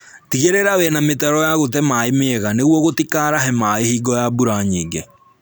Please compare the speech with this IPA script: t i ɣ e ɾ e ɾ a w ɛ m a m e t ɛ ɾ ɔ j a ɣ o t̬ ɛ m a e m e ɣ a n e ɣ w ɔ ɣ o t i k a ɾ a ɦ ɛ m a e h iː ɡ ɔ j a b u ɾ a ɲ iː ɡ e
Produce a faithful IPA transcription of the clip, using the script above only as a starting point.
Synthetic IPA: t i ɣ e ɾ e ɾ a w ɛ n a m e t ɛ ɾ ɔ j a ɣ o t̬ ɛ m a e m e ɣ a n e ɣ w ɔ ɣ o t i k a ɾ a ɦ ɛ m a e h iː ɡ ɔ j a b u ɾ a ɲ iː ɡ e